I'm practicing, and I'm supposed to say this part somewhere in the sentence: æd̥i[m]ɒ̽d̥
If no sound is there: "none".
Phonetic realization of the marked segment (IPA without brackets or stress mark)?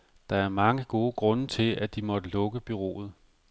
m